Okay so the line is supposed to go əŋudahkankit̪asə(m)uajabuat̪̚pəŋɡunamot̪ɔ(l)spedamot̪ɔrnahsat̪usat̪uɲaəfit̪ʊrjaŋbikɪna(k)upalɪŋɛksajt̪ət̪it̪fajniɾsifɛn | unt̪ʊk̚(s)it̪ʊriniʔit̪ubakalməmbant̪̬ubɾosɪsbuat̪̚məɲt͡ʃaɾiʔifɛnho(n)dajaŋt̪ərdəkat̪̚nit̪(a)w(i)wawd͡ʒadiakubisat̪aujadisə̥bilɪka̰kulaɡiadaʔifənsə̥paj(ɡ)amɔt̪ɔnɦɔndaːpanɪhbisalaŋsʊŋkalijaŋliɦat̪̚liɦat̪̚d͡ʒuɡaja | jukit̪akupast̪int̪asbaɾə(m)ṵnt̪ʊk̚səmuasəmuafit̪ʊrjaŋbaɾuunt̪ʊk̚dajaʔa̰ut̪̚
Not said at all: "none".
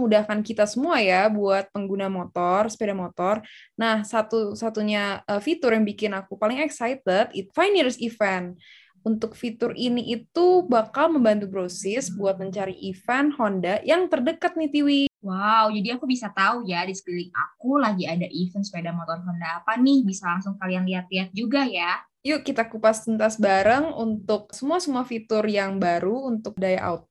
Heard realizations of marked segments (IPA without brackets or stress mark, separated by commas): m, r, k, f, n, i, i, d, ŋ